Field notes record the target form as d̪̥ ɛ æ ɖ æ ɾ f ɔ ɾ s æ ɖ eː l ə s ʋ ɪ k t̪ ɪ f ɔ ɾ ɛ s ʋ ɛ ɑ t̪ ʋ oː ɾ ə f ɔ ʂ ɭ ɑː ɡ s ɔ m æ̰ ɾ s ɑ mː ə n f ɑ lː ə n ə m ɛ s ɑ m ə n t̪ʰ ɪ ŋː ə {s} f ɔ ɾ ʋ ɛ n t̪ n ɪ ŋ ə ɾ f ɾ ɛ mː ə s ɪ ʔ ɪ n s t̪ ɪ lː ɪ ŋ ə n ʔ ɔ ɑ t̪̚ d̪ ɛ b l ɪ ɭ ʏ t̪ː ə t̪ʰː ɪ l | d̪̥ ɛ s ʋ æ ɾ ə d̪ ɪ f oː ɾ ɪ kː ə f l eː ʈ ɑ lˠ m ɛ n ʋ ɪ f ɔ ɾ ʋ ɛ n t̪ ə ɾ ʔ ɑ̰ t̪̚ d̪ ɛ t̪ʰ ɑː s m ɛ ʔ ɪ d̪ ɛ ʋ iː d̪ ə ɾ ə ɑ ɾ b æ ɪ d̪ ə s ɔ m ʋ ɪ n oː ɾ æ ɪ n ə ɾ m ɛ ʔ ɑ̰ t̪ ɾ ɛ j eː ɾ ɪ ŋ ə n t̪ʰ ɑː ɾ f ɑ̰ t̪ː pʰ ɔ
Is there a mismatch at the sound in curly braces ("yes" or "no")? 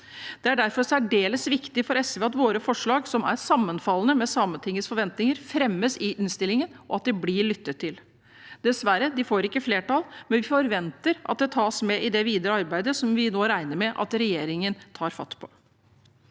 no